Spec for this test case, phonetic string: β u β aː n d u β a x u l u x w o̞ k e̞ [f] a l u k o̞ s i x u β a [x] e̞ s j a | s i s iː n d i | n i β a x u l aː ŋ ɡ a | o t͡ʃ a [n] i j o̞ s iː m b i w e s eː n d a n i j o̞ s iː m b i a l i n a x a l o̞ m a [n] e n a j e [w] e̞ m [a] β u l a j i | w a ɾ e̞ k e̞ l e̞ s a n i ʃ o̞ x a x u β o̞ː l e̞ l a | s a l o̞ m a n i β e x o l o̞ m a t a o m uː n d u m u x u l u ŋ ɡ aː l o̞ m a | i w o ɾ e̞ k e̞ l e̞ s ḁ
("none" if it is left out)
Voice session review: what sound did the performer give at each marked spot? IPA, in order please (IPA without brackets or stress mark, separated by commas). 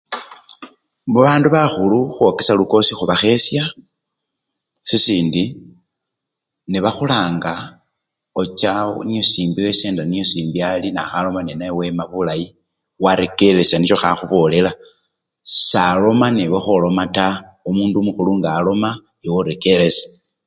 s, x, n, n, w, a